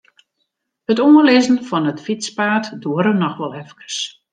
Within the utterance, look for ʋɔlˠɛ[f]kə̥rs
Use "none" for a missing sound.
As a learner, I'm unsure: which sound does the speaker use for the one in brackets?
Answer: f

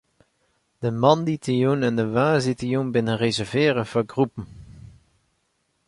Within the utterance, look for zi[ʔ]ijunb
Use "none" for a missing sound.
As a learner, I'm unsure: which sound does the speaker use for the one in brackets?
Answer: t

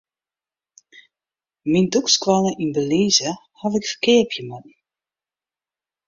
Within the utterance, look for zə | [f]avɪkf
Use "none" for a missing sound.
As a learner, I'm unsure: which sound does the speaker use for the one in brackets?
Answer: h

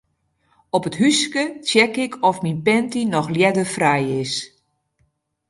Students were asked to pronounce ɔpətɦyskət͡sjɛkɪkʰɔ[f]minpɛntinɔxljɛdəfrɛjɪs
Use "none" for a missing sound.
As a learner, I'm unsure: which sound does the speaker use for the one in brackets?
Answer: f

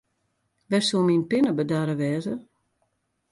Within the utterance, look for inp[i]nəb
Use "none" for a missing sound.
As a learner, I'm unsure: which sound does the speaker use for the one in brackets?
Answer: ɪ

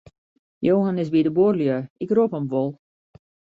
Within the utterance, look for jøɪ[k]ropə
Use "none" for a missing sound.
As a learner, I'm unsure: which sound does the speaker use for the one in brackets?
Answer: k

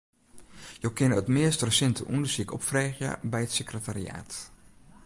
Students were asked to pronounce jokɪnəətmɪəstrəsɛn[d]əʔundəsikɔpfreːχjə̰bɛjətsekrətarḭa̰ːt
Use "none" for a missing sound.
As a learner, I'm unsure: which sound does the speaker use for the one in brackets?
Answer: t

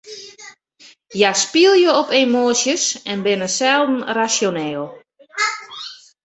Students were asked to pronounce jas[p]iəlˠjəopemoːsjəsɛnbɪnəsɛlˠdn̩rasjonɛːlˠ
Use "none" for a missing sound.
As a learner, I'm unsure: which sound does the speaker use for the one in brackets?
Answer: p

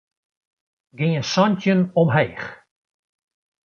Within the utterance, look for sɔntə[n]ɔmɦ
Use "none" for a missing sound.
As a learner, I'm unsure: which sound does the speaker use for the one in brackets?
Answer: n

